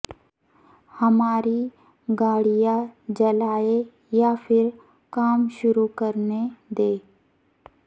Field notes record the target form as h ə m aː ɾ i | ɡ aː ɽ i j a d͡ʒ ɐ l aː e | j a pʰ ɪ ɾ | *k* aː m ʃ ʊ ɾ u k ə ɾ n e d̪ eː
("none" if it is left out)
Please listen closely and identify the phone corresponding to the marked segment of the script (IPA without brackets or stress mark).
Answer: k